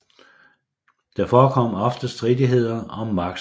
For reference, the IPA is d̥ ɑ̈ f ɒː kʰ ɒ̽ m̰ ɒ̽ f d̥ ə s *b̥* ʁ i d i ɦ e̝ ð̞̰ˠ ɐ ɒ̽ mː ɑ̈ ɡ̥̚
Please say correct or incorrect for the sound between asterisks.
incorrect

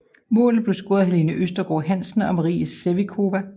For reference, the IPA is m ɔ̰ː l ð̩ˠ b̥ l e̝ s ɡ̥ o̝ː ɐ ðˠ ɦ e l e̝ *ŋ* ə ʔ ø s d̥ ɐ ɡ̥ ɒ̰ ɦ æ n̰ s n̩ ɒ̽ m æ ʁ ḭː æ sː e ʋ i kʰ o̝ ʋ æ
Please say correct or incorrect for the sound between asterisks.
incorrect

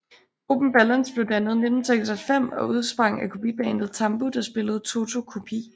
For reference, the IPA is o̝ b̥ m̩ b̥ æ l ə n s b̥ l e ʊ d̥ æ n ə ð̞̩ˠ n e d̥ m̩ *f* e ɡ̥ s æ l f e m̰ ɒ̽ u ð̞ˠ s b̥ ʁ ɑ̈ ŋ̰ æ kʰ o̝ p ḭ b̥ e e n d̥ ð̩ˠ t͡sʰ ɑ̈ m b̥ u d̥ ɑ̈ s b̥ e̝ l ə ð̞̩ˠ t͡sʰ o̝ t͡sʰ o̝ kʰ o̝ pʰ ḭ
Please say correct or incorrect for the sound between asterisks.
incorrect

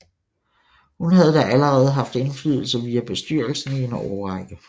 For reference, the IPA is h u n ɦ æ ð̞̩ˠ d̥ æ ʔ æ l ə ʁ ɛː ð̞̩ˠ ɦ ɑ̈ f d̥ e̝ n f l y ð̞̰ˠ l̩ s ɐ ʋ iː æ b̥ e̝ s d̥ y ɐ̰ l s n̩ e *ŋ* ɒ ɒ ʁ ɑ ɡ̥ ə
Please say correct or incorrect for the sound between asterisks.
incorrect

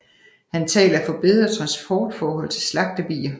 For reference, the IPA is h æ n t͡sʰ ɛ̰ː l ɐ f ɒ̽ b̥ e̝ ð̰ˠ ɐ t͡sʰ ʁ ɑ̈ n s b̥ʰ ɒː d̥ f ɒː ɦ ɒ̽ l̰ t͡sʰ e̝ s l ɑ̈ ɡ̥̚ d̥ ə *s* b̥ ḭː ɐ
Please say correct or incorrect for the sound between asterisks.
incorrect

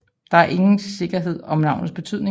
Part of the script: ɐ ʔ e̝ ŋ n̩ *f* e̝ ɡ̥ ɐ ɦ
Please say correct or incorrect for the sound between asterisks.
incorrect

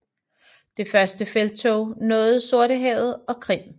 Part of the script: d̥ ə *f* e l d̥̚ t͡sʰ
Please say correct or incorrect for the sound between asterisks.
correct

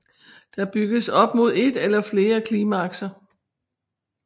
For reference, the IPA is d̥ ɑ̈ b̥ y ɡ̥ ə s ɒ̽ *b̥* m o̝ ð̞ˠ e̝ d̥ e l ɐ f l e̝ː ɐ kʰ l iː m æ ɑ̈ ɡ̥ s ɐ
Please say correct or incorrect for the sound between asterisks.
correct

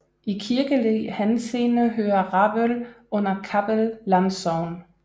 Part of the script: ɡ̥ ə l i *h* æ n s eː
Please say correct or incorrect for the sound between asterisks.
correct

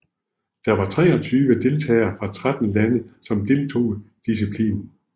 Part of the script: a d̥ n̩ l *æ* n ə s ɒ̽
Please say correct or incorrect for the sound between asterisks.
correct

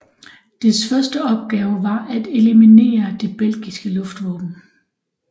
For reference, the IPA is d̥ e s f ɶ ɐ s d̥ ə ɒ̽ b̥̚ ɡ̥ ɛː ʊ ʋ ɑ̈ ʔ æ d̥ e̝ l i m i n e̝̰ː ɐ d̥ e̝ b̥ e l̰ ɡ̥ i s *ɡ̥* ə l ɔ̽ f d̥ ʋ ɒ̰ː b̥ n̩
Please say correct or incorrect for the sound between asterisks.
correct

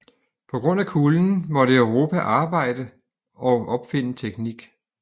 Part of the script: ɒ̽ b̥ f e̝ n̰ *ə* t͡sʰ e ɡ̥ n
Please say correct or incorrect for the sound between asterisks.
correct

